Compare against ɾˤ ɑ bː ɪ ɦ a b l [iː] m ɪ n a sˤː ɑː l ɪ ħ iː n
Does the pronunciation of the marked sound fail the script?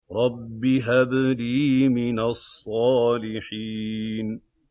no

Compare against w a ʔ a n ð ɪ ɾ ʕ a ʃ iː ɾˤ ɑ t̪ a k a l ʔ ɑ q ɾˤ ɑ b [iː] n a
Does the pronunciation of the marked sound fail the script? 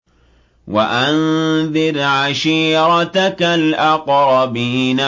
no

